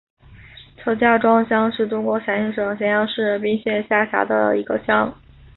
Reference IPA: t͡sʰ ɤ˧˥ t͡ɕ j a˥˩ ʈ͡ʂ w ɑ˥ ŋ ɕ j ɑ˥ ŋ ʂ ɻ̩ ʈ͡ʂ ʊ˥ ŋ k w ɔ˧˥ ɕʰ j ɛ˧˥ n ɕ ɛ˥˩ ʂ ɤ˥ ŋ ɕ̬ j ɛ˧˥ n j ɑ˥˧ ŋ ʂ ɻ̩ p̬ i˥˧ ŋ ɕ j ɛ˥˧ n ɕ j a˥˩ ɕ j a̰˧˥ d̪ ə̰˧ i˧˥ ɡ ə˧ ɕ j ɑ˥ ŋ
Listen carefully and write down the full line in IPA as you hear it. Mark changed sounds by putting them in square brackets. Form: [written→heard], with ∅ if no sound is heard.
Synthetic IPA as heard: t͡sʰ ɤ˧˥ t͡ɕ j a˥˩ ʈ͡ʂ w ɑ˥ ŋ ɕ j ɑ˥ ŋ ʂ ɻ̩ ʈ͡ʂ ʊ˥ ŋ k w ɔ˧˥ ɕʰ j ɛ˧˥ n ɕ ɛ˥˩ ʂ [ɤ˥→ɤ˨˩] ŋ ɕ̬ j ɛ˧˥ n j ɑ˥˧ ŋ ʂ ɻ̩ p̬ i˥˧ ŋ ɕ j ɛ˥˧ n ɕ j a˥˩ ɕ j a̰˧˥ d̪ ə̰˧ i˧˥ ɡ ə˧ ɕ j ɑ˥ ŋ